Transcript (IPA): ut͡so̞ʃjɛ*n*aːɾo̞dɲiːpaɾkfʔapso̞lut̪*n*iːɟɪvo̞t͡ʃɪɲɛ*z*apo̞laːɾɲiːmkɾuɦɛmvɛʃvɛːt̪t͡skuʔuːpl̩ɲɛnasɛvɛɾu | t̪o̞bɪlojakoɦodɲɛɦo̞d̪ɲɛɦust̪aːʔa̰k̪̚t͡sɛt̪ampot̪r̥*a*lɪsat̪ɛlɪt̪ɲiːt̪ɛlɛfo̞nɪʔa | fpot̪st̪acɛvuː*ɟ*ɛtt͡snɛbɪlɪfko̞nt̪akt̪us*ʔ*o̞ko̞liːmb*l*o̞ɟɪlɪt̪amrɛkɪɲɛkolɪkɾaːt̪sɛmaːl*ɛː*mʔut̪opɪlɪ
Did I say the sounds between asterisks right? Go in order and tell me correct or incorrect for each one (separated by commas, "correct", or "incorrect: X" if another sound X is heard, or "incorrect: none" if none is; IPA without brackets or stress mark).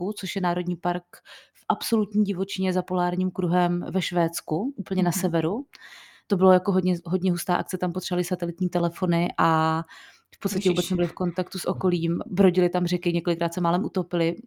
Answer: correct, incorrect: ɲ, correct, correct, incorrect: b, correct, incorrect: ɾ, incorrect: ɛ